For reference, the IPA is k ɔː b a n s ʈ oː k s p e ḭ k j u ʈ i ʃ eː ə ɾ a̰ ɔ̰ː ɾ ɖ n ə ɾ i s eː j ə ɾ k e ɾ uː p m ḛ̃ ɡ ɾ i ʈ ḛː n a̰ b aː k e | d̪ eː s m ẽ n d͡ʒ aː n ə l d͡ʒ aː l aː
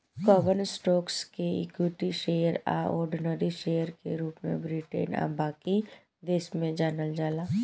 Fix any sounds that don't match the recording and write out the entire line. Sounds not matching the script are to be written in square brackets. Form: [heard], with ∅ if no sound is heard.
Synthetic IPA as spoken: k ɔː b [ə] n s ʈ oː k s [k] e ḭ k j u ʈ i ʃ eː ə ɾ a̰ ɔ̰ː ɾ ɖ n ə ɾ i [ʃ] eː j ə ɾ k e ɾ uː p m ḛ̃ [b] ɾ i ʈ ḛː n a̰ b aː k [i] | d̪ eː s m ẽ [∅] d͡ʒ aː n ə l d͡ʒ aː l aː